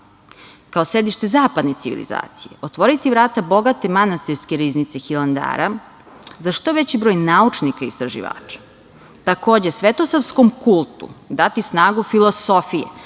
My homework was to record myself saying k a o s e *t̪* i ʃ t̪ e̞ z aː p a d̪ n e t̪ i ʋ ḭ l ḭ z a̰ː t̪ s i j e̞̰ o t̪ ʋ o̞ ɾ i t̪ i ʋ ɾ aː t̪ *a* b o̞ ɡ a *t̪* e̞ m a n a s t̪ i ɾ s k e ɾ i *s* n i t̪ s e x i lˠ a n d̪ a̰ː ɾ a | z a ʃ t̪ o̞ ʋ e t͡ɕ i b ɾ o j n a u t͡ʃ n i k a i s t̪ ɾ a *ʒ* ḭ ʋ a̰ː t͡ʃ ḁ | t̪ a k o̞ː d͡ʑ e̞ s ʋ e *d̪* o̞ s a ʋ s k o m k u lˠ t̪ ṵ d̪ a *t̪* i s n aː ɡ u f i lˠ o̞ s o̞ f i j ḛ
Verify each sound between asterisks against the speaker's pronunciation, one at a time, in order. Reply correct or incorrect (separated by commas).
incorrect, correct, correct, incorrect, correct, incorrect, correct